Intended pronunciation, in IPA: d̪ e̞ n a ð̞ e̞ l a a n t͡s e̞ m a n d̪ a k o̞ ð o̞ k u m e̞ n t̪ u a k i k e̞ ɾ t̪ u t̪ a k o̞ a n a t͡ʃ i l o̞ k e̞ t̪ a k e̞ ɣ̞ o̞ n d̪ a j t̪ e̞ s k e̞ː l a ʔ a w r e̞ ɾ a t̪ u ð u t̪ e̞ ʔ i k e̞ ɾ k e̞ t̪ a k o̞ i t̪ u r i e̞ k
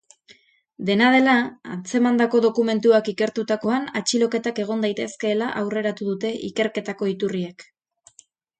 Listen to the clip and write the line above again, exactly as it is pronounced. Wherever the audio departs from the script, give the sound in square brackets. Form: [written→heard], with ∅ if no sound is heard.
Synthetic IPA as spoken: d̪ e̞ n a ð̞ e̞ l a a n t͡s e̞ m a n d̪ a k o̞ ð o̞ k u m e̞ n t̪ u a k i k e̞ ɾ t̪ u t̪ a k o̞ a n a t͡ʃ i l o̞ k e̞ t̪ a k e̞ ɣ̞ o̞ n d̪ a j t̪ e̞ s k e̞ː l a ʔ a w r e̞ ɾ a t̪ u ð u t̪ e̞ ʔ i k e̞ ɾ k e̞ t̪ a k o̞ i t̪ u r i e̞ k